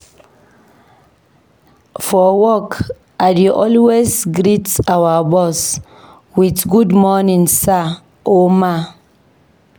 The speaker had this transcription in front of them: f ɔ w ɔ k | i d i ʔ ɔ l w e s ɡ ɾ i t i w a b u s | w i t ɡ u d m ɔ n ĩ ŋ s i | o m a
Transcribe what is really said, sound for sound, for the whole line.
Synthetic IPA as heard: f ɔ w ɔ k | a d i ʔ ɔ l w e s ɡ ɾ i t a w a b ɔ s | w i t ɡ u d m ɔ n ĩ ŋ s a | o m a